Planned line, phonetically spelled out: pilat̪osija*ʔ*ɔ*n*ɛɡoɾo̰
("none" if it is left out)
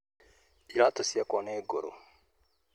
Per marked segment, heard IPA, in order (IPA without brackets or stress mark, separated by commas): k, n